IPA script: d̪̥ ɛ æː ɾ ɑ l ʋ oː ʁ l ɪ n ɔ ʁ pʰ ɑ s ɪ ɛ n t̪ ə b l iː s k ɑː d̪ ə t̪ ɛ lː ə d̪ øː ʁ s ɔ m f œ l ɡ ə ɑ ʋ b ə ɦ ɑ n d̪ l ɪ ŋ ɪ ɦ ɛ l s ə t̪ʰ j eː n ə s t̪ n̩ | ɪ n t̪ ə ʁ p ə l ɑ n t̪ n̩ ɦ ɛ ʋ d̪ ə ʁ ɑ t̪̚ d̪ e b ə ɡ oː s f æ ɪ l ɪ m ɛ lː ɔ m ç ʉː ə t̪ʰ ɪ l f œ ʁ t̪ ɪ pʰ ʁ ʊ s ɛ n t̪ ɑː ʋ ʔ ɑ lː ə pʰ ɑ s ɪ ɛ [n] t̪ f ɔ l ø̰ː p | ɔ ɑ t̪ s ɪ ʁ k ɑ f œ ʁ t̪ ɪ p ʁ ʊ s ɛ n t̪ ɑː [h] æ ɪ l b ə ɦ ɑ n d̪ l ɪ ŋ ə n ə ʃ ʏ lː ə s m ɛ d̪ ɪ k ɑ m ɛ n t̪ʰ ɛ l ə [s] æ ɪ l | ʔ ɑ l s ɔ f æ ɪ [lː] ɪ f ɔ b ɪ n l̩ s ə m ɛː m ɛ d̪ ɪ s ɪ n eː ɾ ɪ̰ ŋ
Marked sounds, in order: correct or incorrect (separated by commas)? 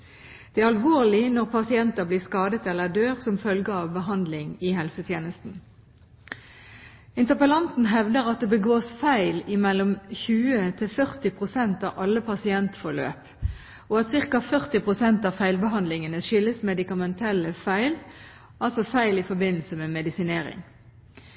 correct, incorrect, incorrect, incorrect